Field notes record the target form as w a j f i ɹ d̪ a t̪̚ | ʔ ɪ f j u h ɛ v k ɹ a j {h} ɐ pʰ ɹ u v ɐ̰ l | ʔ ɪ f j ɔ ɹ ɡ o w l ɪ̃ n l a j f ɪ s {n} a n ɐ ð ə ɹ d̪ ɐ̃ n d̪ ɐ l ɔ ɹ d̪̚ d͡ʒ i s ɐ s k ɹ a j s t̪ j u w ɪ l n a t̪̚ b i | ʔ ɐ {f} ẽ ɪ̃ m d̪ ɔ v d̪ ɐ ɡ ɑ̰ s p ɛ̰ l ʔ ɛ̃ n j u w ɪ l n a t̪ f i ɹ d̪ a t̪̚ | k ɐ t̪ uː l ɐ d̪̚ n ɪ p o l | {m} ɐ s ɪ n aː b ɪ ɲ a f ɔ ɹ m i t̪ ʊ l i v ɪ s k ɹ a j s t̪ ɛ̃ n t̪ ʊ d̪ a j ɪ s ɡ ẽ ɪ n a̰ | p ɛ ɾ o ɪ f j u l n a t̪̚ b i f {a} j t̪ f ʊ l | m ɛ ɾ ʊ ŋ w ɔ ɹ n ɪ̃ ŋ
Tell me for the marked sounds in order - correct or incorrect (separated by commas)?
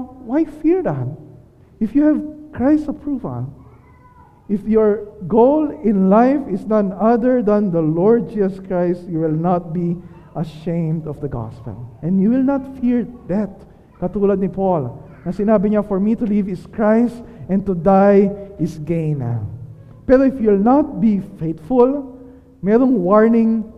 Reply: incorrect, correct, incorrect, incorrect, incorrect